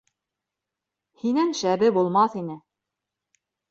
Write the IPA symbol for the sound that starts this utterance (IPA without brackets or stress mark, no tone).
h